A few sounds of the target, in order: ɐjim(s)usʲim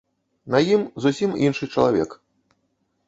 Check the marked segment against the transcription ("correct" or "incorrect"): incorrect